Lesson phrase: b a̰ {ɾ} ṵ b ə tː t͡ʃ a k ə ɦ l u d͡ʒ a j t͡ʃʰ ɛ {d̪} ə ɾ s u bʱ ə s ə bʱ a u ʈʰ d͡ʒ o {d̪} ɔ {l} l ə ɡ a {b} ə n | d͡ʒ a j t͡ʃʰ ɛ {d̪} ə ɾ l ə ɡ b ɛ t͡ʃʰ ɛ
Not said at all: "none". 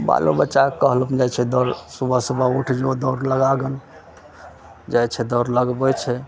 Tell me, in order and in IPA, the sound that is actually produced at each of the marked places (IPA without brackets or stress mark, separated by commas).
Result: l, d̪, d̪, ɾ, ɡ, d̪